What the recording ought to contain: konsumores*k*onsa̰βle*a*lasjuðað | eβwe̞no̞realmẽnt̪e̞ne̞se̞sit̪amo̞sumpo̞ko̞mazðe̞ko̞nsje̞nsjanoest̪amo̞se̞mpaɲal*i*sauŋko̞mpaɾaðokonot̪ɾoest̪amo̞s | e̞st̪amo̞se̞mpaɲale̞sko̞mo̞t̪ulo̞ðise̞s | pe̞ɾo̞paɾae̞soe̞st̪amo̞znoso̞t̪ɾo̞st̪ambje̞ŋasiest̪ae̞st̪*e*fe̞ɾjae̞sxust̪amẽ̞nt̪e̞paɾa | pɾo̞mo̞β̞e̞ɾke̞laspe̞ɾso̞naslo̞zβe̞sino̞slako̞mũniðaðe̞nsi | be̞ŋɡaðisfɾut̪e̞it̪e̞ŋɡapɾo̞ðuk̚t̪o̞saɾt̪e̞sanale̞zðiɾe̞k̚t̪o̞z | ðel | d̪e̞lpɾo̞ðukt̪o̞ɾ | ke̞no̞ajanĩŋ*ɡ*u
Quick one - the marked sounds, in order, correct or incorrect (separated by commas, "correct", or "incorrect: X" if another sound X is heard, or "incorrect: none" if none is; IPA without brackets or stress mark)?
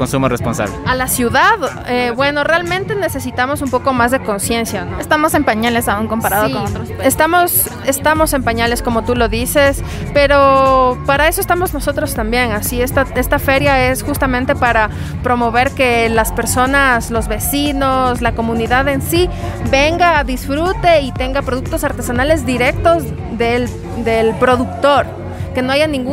incorrect: p, correct, incorrect: e, incorrect: a, correct